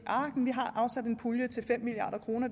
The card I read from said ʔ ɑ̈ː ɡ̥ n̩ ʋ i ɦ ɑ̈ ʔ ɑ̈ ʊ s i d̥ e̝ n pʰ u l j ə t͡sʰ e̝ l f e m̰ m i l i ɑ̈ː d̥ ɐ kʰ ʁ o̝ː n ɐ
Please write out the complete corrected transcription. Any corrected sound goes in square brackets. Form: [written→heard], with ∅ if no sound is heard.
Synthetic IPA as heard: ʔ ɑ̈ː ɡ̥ n̩ ʋ i ɦ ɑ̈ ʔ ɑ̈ ʊ s [i→æ] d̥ e̝ n pʰ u l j ə t͡sʰ e̝ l f e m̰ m i l i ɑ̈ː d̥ ɐ kʰ ʁ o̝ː n ɐ